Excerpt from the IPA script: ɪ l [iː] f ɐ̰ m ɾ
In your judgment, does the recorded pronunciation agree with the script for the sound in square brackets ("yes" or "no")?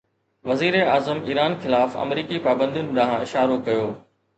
no